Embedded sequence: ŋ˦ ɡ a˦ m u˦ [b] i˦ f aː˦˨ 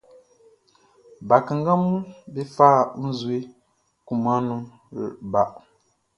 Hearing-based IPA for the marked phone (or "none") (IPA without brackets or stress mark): b